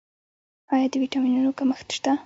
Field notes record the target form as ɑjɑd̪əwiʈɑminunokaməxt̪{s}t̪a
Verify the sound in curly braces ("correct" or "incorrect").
incorrect